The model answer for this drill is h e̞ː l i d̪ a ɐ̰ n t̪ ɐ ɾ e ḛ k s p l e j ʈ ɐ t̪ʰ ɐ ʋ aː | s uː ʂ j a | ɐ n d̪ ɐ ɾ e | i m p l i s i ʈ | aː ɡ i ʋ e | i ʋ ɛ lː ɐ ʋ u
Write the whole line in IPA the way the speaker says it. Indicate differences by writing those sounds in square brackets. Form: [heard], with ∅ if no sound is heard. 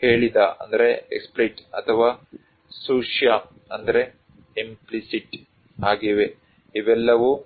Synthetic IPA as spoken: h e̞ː [ɭ] i d̪ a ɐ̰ n [d̪] ɐ ɾ e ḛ k s p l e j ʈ ɐ t̪ʰ ɐ ʋ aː | s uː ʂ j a | ɐ n d̪ ɐ ɾ e | i m p l i s i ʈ | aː ɡ i ʋ e | i ʋ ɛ lː ɐ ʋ u